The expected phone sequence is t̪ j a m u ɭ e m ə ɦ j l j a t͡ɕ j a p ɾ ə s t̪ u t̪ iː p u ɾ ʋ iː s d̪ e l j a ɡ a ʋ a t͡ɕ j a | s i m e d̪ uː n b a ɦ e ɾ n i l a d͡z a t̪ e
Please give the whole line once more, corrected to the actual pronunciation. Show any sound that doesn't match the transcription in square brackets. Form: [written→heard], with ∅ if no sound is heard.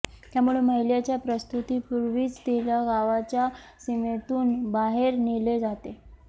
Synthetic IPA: t̪ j a m u ɭ e m ə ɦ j l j a t͡ɕ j a p ɾ ə s t̪ u t̪ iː p u ɾ ʋ iː [s→t͡s] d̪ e l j a ɡ a ʋ a t͡ɕ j a | s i m e [d̪→t̪] uː n b a ɦ e ɾ n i l [a→e] d͡z a t̪ e